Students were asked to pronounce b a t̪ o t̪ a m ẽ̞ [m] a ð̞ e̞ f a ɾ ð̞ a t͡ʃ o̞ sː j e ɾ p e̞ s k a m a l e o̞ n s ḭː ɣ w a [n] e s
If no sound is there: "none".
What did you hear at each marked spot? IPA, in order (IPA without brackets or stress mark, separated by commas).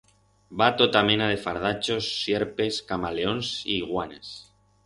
n, n